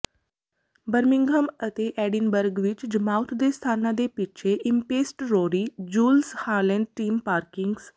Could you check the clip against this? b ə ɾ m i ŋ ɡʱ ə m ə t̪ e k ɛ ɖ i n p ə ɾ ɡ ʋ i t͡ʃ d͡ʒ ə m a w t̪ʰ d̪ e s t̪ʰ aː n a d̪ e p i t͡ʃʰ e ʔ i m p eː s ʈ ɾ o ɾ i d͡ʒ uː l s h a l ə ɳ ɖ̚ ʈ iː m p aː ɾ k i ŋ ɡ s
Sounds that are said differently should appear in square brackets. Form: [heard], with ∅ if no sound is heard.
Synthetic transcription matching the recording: b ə ɾ m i ŋ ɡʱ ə m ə t̪ e [ʔ] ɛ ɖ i n [b] ə ɾ ɡ ʋ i t͡ʃ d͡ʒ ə m a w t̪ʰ d̪ e s t̪ʰ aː n a d̪ e p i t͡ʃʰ e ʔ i m p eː s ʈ ɾ o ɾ i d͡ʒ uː l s h a l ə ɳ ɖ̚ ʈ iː m p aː ɾ k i ŋ ɡ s